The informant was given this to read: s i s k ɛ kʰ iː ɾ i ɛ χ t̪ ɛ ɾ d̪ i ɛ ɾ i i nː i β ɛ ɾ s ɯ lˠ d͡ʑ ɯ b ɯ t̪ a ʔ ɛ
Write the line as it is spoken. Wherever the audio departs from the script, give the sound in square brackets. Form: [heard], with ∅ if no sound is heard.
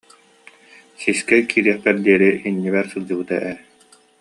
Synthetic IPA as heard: s i s k ɛ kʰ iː ɾ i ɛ χ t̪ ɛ ɾ d̪ i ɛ ɾ i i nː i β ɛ ɾ s ɯ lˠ d͡ʑ ɯ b ɯ t̪ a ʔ ɛ